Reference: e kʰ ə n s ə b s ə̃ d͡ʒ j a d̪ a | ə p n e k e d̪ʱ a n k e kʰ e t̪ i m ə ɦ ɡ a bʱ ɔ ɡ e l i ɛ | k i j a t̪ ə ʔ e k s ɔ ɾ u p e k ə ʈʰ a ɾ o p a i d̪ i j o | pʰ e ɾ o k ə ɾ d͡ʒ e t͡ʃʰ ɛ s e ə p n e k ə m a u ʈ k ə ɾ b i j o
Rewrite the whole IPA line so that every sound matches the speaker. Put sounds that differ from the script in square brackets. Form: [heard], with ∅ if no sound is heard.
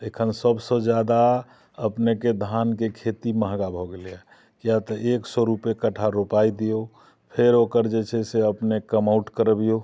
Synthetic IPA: e kʰ ə n s ə b s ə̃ d͡ʒ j a d̪ a | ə p n e k e d̪ʱ a n k e kʰ e t̪ i m ə ɦ ɡ a bʱ ɔ ɡ e l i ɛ | k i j a t̪ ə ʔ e k s ɔ ɾ u p e k ə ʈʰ a ɾ o p a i d̪ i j o | pʰ e ɾ o k ə ɾ d͡ʒ e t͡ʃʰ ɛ s e ə p n e k ə m a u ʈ k ə ɾ b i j o